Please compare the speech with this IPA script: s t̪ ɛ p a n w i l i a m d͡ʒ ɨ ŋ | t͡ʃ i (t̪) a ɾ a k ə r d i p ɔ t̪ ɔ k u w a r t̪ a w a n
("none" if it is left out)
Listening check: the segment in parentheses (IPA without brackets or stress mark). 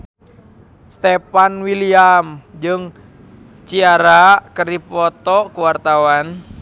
none